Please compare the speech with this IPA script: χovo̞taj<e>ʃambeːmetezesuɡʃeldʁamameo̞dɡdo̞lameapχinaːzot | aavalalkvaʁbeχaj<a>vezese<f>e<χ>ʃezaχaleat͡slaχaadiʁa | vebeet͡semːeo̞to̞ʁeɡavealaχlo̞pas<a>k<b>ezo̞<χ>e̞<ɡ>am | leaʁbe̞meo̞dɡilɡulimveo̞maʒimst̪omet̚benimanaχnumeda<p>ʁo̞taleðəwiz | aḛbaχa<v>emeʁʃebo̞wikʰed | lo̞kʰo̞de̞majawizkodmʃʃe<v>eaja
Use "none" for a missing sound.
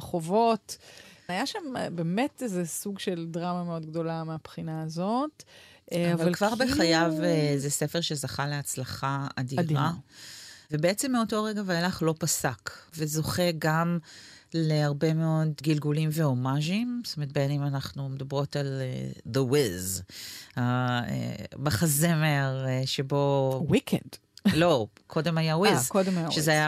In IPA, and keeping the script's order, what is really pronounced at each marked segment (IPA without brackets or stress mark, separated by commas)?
a, a, f, ʁ, a, v, χ, ɡ, b, z, z